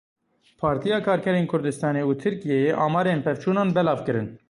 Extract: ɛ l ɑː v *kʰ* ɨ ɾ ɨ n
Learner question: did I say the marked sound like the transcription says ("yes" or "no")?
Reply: no